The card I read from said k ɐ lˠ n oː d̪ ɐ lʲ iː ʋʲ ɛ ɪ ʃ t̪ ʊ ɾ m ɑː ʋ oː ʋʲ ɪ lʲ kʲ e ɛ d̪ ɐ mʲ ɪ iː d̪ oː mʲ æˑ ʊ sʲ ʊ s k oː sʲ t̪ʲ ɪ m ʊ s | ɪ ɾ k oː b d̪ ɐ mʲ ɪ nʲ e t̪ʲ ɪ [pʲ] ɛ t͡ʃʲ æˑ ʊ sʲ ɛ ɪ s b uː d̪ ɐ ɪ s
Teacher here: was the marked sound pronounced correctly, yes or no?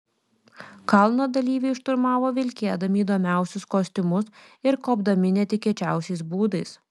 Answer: no